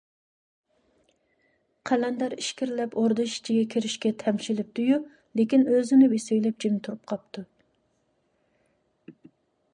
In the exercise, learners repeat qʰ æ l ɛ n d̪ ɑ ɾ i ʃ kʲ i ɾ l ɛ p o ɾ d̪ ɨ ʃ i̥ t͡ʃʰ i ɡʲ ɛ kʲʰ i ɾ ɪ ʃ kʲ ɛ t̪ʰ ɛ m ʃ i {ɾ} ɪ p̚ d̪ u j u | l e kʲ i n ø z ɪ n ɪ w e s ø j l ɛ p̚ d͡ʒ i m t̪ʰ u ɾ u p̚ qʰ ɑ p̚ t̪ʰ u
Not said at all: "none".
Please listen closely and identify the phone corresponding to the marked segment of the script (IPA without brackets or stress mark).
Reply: l